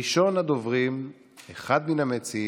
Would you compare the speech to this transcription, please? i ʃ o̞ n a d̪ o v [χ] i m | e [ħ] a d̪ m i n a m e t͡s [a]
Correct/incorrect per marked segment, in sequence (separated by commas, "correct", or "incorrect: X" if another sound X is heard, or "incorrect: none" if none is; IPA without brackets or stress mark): incorrect: ʁ, incorrect: χ, incorrect: i